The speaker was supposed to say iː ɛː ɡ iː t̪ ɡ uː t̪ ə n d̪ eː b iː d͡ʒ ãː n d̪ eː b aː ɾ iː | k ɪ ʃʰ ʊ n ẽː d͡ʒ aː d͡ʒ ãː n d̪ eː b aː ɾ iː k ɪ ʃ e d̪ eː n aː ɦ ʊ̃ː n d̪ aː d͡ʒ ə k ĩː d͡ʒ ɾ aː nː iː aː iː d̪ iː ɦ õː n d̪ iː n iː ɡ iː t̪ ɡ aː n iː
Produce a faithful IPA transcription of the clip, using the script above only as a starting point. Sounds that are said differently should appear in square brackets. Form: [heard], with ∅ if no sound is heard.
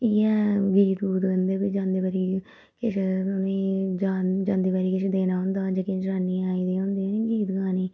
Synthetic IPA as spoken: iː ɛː ɡ iː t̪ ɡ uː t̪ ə n d̪ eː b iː d͡ʒ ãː n d̪ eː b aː ɾ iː | k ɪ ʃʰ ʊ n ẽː d͡ʒ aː d͡ʒ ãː n d̪ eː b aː ɾ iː k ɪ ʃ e d̪ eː n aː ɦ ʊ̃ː n d̪ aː d͡ʒ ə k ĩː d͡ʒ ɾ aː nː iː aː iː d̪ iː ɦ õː n d̪ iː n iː ɡ iː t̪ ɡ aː n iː